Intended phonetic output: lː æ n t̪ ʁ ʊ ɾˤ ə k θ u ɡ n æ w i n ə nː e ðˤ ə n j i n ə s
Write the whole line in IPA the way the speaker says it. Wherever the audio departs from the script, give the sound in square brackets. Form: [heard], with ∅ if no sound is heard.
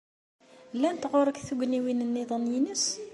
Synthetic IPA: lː æ n t̪ ʁ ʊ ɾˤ ə k θ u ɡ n [i] w i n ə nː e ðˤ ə n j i n ə s